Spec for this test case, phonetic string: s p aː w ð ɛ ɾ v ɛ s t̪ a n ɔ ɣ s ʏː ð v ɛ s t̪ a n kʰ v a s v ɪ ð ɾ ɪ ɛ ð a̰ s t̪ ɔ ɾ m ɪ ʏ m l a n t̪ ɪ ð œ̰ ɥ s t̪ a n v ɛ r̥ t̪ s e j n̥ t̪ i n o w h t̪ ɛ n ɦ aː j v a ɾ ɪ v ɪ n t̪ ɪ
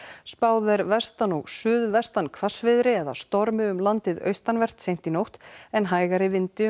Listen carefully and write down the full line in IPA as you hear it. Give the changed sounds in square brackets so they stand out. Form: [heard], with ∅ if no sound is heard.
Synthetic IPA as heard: s p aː w ð ɛ ɾ v ɛ s t̪ a n ɔ ɣ s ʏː ð v ɛ s t̪ a n kʰ v a s v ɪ ð ɾ ɪ ɛ ð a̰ s t̪ ɔ ɾ m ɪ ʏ m l a n t̪ ɪ ð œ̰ ɥ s t̪ a n v ɛ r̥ t̪ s e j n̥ t̪ i n o w h t̪ ɛ n ɦ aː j [ɣ] a ɾ ɪ v ɪ n t̪ ɪ

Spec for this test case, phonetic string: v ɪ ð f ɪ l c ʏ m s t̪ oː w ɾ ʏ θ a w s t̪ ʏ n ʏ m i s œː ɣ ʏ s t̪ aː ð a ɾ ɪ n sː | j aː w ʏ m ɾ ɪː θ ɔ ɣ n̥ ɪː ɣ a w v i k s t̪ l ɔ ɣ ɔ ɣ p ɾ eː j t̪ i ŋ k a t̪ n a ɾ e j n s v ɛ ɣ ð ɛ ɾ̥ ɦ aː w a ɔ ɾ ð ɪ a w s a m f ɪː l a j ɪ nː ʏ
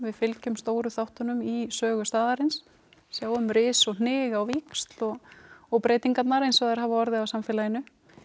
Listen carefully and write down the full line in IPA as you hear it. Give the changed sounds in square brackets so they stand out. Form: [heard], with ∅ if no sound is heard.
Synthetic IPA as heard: v ɪ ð f ɪ l c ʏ m s t̪ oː w ɾ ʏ θ a w [h] t̪ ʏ n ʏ m i s œː ɣ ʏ s t̪ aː ð a ɾ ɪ n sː | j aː w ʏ m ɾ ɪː [s] ɔ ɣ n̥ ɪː ɣ a w v i k s t̪ l ɔ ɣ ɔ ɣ p ɾ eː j t̪ i ŋ k a t̪ n a ɾ e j n s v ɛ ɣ ð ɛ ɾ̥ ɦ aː [v] a ɔ ɾ ð ɪ a w s a m f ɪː l a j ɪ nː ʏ

